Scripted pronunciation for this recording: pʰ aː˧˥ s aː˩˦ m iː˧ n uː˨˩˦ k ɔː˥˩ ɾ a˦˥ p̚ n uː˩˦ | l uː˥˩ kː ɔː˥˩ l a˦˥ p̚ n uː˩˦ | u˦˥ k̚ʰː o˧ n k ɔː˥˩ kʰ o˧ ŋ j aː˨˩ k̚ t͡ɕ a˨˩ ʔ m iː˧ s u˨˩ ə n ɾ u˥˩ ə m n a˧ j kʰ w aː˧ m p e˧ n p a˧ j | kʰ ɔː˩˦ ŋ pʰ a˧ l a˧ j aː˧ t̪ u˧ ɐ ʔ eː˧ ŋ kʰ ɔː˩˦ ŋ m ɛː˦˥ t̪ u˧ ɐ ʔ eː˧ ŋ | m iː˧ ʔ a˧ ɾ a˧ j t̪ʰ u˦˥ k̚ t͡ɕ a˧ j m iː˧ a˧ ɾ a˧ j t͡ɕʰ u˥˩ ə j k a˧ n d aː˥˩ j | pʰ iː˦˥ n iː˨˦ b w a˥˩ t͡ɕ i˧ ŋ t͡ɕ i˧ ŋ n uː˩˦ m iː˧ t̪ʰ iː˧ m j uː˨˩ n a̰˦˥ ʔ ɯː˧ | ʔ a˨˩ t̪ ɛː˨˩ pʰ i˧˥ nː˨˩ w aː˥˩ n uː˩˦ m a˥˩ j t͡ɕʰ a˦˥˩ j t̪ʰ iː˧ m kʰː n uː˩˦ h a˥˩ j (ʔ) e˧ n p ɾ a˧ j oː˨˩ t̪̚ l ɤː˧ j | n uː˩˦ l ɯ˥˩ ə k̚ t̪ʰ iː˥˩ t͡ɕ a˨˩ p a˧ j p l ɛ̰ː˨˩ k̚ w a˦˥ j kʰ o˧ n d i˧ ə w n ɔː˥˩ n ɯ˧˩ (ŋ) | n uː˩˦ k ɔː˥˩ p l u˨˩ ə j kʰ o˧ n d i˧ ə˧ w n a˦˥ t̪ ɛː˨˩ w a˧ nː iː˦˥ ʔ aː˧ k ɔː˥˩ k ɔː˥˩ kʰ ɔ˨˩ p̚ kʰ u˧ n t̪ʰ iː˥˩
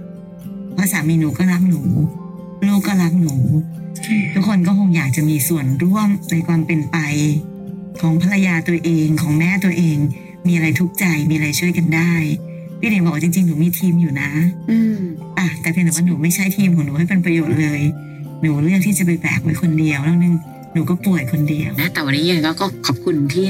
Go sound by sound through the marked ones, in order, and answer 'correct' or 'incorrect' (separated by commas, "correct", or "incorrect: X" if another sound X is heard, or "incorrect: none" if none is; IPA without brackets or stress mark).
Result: incorrect: p, correct